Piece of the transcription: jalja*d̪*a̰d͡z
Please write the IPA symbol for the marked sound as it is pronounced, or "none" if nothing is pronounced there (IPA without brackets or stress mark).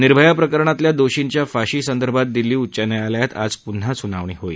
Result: t̪